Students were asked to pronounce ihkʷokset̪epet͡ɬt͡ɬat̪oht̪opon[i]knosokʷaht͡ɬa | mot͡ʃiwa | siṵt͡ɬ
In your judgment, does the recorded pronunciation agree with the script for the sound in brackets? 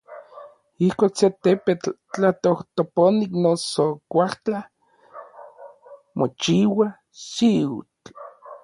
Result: yes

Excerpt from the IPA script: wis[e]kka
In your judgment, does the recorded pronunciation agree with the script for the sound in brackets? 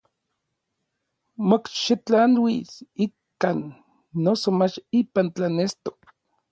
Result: no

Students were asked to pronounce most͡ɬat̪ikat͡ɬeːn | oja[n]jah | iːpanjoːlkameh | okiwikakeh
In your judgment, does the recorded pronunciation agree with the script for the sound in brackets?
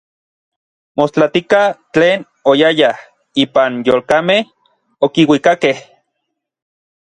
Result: no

